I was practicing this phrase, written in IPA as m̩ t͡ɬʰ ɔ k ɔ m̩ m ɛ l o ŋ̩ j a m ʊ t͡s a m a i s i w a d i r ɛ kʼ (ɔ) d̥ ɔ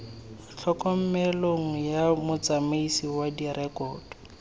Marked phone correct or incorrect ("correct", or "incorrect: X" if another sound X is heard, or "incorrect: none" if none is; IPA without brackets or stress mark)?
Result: incorrect: ɔː